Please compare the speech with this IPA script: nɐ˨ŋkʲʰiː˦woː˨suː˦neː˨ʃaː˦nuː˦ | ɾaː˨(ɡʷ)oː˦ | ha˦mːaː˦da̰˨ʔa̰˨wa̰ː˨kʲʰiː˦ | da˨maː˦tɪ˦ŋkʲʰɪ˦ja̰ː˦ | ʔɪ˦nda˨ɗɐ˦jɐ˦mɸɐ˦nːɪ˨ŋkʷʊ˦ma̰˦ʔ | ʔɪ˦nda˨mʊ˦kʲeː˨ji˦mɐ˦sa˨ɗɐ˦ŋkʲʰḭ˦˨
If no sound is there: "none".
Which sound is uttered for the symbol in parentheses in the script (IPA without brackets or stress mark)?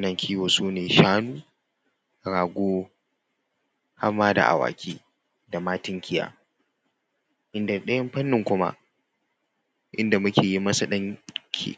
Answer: ɡʷ